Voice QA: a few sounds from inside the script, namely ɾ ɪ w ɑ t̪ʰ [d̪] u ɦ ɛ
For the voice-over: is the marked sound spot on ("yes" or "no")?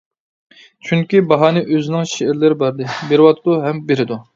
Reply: yes